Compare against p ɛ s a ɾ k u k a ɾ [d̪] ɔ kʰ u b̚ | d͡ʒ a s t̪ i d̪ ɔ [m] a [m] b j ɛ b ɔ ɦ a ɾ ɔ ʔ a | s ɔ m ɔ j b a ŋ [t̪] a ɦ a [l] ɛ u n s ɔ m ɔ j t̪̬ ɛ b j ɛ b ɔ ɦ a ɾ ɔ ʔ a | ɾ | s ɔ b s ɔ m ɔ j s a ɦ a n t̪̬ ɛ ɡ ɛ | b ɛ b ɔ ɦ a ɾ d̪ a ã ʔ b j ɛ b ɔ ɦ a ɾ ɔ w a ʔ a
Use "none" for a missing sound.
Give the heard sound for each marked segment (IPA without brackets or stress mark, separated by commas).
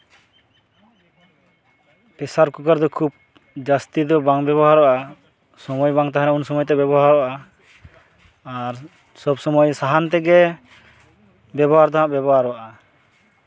d̪, b, ŋ, t̪, ɾ